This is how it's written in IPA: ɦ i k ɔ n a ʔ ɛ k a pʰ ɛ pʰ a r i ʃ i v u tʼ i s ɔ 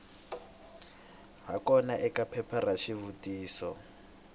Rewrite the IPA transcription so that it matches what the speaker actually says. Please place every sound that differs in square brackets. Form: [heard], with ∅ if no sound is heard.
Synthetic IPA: ɦ [a] k ɔ n a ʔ ɛ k a pʰ ɛ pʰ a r [a] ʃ i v u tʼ [iː] s ɔ